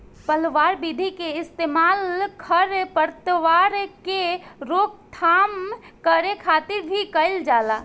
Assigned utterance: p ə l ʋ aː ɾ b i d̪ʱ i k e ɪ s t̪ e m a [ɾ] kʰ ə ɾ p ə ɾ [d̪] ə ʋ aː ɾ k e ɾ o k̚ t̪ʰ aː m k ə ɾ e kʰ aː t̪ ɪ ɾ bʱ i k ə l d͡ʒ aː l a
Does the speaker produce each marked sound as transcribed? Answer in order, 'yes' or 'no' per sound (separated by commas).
no, no